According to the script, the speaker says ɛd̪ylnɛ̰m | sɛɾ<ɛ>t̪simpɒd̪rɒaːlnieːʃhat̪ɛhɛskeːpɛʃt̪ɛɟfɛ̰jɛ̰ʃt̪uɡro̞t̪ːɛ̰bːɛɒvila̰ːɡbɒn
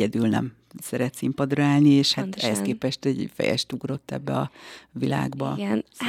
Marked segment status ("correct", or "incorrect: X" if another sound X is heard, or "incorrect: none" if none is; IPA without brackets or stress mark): correct